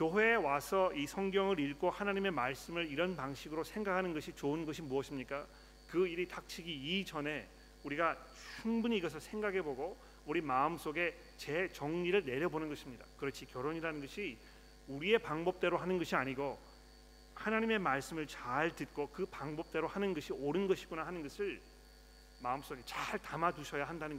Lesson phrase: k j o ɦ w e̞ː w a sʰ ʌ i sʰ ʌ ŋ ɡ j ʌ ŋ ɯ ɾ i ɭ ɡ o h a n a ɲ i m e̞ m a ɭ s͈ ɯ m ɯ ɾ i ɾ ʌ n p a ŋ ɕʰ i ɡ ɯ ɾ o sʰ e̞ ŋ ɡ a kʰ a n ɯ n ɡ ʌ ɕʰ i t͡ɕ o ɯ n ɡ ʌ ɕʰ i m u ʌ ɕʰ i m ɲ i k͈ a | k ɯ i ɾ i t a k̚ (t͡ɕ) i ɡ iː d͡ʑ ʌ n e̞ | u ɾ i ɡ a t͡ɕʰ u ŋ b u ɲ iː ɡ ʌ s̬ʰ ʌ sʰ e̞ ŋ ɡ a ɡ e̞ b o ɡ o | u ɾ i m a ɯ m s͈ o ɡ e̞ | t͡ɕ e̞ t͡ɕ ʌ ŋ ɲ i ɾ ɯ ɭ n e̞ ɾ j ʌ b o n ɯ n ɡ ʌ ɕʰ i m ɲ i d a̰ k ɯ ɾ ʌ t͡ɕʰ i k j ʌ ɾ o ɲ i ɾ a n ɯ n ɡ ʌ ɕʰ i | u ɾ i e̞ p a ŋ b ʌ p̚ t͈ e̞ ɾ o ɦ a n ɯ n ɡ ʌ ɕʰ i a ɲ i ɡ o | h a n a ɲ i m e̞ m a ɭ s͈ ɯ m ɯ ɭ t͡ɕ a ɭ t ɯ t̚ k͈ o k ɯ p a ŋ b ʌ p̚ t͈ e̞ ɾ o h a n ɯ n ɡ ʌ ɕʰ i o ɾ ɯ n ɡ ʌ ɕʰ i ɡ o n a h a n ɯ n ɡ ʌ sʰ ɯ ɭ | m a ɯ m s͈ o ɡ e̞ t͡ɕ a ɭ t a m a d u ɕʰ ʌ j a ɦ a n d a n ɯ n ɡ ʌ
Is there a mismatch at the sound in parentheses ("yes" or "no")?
yes